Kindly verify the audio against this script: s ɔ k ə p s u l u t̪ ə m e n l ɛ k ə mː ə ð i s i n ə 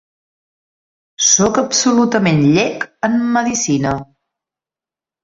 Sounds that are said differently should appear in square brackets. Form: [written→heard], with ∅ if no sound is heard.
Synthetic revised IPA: s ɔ k ə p s u l u t̪ ə m e n [l→ʎ] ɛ k ə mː ə ð i s i n ə